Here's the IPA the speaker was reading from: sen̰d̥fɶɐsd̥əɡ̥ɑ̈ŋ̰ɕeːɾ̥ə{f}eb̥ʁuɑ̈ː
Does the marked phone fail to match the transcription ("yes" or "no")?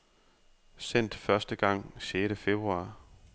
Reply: no